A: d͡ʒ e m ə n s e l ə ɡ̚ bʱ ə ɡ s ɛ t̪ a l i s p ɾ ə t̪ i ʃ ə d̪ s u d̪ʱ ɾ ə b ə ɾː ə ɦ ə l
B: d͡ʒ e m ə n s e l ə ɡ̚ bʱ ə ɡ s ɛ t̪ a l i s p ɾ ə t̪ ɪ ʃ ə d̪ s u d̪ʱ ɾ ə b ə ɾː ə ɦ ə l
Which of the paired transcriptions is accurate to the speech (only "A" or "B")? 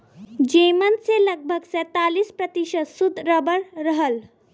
A